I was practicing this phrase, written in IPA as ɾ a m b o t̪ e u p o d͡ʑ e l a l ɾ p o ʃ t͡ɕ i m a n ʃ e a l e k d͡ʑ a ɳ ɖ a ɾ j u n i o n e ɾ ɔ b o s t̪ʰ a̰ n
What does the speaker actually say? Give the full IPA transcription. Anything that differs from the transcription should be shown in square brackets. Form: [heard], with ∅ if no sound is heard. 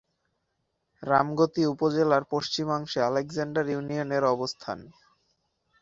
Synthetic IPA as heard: ɾ a m [ɡ] o t̪ [i] u p o d͡ʑ e l a [∅] ɾ p o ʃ t͡ɕ i m a [ŋ] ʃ e a l e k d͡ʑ a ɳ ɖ a ɾ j u n i o n e ɾ ɔ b o s t̪ʰ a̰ n